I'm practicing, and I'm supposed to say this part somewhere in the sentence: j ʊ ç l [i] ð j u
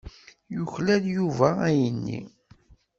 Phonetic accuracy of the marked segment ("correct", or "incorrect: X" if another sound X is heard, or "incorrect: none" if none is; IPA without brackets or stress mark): incorrect: æ